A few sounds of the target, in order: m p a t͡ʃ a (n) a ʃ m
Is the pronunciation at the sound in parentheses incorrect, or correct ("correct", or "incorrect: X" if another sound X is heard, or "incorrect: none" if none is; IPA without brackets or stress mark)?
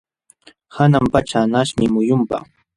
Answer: correct